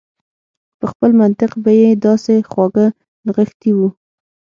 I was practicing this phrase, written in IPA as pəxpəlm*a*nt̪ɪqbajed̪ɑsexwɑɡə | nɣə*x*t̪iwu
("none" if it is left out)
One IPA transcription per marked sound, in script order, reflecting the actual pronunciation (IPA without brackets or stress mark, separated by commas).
a, x